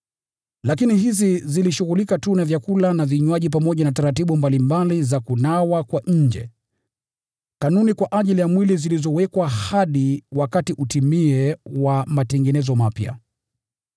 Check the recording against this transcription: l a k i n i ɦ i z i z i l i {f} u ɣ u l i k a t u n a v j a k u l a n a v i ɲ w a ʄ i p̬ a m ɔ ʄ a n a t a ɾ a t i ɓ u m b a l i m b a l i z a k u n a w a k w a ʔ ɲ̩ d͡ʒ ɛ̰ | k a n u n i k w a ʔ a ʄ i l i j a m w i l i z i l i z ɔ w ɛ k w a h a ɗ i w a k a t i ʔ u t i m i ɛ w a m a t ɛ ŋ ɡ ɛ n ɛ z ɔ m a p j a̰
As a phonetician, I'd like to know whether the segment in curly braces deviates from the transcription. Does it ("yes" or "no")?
yes